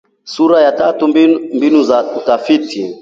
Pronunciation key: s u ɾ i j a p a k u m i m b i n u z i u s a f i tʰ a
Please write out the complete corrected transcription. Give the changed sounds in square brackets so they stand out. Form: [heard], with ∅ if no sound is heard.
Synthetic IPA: s u ɾ [a] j a [t] a [t] u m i m b i n u z [a] u [t] a f i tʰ [i]

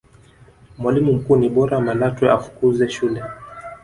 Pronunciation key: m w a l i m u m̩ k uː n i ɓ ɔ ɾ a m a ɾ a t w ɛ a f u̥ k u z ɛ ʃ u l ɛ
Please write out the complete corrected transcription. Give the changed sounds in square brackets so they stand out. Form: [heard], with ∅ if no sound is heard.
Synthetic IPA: m w a l i m u m̩ k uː n i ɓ ɔ ɾ a m a [l] a t w ɛ a f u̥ k u z ɛ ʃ u l ɛ

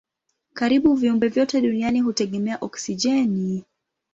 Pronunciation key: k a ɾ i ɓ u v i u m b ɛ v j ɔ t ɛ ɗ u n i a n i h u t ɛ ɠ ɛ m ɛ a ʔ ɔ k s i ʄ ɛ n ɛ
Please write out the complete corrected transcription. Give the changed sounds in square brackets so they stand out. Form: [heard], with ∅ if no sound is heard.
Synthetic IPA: k a ɾ i ɓ u v i u m b ɛ v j ɔ t ɛ ɗ u n i a n i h u t ɛ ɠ ɛ m ɛ a ʔ ɔ k s i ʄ ɛ n [i]

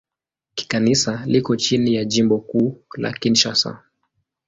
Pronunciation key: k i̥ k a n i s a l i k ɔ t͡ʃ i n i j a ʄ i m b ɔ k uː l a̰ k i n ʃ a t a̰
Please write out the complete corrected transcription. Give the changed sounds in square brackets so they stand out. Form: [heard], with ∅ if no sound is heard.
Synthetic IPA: k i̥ k a n i s a l i k ɔ t͡ʃ i n i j a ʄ i m b ɔ k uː l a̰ k i n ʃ a [s] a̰

